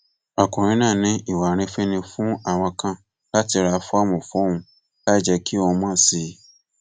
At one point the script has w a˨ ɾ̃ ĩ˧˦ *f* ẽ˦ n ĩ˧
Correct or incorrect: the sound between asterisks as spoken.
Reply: correct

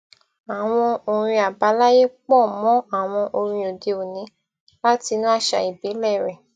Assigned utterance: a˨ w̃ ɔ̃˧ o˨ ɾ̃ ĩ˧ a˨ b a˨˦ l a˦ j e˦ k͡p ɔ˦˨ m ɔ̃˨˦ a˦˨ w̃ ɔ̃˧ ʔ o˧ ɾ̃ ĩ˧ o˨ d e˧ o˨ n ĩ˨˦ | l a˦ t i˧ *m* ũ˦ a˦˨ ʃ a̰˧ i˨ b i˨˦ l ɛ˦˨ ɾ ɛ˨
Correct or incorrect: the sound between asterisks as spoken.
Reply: incorrect: n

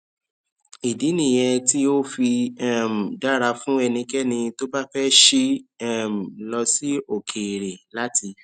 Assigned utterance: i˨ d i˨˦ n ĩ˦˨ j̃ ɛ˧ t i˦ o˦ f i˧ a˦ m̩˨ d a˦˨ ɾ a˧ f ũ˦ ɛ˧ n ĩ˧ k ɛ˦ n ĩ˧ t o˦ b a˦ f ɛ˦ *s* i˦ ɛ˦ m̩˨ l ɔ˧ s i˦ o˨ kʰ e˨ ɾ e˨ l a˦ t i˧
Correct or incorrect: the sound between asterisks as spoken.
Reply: incorrect: ʃ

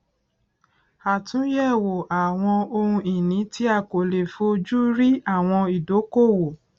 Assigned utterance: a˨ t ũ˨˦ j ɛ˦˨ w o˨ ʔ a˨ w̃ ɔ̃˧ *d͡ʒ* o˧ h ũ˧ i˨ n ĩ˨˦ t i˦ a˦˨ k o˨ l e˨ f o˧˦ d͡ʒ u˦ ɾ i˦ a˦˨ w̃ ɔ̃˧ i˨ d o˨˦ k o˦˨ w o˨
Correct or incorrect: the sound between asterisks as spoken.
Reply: incorrect: none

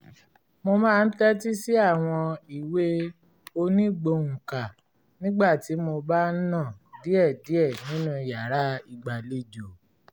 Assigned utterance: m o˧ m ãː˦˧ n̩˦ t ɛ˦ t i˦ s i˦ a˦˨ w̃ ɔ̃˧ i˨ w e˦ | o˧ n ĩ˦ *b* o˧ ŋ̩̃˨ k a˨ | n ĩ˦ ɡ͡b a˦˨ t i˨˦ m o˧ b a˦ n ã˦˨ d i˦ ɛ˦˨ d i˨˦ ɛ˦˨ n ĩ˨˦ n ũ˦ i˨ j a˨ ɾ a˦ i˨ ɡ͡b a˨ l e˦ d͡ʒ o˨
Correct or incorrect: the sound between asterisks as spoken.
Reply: incorrect: ɡ͡b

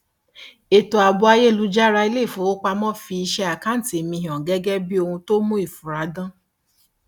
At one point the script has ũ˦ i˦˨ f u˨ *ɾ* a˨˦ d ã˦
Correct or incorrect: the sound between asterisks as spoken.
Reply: correct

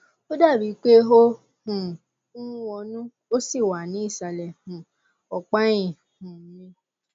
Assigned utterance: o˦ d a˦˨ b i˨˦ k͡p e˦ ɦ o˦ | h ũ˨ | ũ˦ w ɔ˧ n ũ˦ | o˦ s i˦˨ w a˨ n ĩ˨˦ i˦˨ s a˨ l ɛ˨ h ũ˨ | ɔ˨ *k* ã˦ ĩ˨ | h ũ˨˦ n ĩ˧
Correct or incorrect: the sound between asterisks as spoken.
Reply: incorrect: k͡p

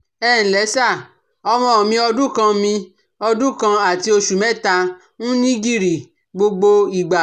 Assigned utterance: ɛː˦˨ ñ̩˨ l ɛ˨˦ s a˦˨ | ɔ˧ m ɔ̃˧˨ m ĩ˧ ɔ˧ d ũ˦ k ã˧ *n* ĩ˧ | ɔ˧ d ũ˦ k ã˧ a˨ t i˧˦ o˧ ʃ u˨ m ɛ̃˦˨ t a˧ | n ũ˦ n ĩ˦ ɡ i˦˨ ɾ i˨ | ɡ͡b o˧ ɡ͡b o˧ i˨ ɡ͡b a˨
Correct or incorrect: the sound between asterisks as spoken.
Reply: incorrect: m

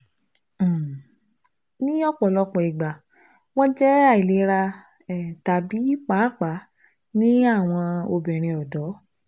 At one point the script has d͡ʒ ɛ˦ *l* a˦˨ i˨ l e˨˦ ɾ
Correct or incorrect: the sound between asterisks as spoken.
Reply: incorrect: none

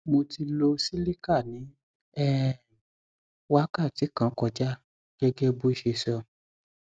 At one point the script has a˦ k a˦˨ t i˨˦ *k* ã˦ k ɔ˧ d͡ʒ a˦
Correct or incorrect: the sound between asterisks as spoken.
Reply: correct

